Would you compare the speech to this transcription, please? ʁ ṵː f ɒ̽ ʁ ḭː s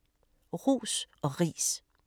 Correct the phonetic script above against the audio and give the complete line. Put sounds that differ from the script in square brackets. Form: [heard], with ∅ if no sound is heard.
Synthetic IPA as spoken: ʁ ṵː [s] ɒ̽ ʁ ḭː s